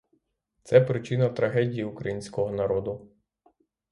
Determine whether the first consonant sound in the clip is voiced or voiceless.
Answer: voiceless